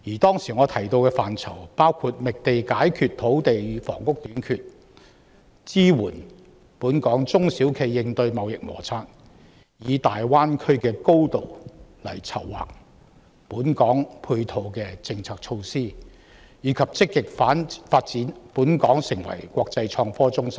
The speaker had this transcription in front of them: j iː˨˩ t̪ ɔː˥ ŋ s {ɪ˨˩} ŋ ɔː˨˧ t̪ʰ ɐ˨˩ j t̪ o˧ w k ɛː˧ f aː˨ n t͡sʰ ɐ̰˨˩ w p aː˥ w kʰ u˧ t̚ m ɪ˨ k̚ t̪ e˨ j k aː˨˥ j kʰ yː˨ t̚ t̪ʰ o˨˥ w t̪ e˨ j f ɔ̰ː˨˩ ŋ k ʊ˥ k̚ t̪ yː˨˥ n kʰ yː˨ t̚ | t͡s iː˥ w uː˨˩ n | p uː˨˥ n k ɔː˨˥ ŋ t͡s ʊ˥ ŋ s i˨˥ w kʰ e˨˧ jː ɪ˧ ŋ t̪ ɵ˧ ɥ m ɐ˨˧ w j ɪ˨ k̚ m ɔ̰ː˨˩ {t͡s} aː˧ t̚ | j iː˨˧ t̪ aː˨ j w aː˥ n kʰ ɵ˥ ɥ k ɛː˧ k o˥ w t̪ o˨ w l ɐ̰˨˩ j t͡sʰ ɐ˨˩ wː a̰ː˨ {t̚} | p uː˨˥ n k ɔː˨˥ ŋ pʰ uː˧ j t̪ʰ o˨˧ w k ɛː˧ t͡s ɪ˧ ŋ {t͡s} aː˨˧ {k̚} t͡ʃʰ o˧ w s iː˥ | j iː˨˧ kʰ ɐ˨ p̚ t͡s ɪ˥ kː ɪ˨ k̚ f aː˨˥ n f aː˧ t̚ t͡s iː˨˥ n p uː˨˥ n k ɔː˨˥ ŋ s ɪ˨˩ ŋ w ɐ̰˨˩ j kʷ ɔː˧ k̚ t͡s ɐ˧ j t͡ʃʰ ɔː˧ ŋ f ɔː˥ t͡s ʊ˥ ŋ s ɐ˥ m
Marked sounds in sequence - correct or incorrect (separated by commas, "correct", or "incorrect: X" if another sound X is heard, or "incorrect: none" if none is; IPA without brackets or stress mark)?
incorrect: i˨˩, incorrect: t͡sʰ, incorrect: k̚, incorrect: t͡sʰ, correct